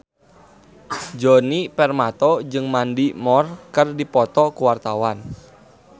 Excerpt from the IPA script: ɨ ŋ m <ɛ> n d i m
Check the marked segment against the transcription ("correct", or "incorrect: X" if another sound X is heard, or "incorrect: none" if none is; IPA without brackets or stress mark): incorrect: a